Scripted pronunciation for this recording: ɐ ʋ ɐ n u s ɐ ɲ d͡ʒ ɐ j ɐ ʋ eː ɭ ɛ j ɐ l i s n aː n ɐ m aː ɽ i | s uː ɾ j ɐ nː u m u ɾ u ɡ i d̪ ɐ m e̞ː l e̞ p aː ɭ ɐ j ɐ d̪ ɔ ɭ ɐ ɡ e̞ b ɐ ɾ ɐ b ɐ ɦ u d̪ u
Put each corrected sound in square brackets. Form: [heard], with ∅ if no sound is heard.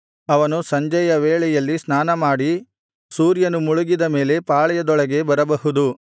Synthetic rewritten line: ɐ ʋ ɐ n u s ɐ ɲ d͡ʒ ɐ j ɐ ʋ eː ɭ ɛ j ɐ [lː] i s n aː n ɐ m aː ɽ i | s uː ɾ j ɐ [n] u m u [ɭ] u ɡ i d̪ ɐ m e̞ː l e̞ p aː ɭ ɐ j ɐ d̪ ɔ ɭ ɐ ɡ e̞ b ɐ ɾ ɐ b ɐ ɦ u d̪ u